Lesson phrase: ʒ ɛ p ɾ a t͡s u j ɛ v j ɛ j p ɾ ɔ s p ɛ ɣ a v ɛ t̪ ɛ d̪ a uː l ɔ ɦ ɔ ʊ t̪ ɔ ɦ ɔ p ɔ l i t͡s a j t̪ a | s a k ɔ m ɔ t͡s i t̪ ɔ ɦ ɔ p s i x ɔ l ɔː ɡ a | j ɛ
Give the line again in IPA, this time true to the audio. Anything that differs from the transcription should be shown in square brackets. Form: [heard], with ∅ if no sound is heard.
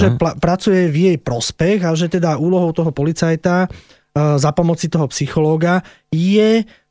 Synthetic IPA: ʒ ɛ p ɾ a t͡s u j ɛ v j ɛ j p ɾ ɔ s p ɛ ɣ a [ʒ] ɛ t̪ ɛ d̪ a uː l ɔ ɦ ɔ ʊ t̪ ɔ ɦ ɔ p ɔ l i t͡s a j t̪ a | [z] a [p] ɔ m ɔ t͡s i t̪ ɔ ɦ ɔ p s i x ɔ l ɔː ɡ a | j ɛ